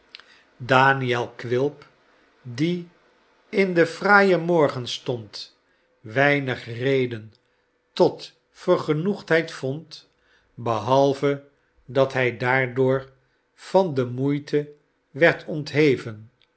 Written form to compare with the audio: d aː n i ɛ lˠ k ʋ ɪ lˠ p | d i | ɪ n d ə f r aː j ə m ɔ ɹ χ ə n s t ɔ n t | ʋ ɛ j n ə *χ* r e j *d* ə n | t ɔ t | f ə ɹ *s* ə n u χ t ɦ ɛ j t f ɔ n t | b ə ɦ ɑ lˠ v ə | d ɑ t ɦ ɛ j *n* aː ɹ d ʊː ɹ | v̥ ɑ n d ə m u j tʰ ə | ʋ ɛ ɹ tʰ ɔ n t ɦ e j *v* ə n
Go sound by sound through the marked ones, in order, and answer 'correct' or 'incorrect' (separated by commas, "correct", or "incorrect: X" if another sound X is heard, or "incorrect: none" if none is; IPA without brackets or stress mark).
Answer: correct, correct, incorrect: χ, incorrect: d, correct